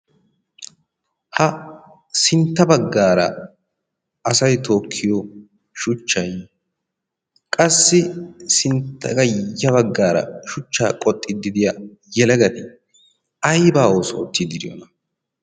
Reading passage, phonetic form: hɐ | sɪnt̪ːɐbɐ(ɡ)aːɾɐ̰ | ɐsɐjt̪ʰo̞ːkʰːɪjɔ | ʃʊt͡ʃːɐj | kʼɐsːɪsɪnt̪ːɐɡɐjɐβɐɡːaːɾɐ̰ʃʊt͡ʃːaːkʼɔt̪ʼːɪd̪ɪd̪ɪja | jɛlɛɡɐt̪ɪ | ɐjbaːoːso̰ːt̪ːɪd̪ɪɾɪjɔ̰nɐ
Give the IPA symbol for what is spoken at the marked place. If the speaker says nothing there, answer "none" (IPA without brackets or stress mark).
ɡː